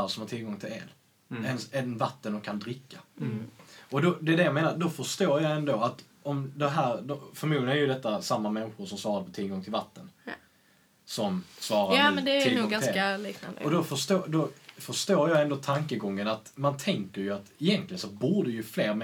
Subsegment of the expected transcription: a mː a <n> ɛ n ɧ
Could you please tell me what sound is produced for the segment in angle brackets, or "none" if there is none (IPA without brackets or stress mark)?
m